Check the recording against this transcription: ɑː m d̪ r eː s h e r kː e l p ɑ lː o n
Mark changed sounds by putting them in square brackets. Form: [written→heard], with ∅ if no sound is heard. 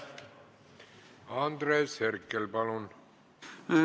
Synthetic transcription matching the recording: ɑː [m→n] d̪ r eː s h e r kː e l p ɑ [lː→l] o n